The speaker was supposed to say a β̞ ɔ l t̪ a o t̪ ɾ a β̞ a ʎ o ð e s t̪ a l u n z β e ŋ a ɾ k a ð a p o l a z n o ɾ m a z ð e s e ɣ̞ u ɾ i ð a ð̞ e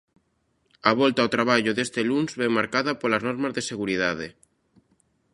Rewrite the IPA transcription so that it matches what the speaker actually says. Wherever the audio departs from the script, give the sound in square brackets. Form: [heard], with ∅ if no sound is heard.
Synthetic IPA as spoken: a β̞ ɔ l t̪ a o t̪ ɾ a β̞ a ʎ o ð e s t̪ [e] l u n z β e [m] a ɾ k a ð a p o l a z n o ɾ m a z ð e s e ɣ̞ u ɾ i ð a ð̞ e